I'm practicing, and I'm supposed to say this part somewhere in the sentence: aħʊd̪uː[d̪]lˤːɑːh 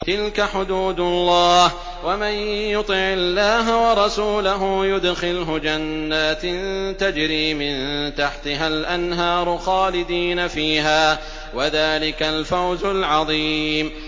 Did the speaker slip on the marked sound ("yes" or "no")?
no